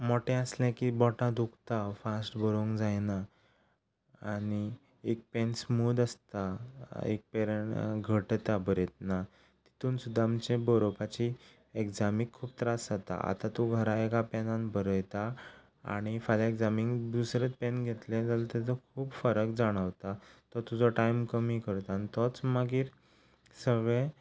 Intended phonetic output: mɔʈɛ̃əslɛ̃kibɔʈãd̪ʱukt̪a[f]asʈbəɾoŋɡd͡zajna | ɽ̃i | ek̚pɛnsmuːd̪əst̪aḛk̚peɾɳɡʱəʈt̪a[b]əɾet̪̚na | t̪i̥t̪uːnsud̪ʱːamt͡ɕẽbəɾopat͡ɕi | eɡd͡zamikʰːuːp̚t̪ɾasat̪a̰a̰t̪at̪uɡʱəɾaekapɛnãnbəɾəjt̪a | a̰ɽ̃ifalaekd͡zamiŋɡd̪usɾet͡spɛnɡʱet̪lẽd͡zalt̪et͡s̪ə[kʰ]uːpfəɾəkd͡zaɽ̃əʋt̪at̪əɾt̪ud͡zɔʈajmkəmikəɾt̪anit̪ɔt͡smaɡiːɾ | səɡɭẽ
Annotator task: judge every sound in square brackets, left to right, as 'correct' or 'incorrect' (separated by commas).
correct, correct, correct